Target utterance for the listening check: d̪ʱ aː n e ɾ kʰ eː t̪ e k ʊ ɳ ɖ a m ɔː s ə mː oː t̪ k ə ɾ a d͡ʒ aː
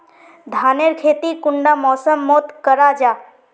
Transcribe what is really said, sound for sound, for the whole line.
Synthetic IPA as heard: d̪ʱ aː n e ɾ kʰ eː t̪ i k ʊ ɳ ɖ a m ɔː s ə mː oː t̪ k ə ɾ a d͡ʒ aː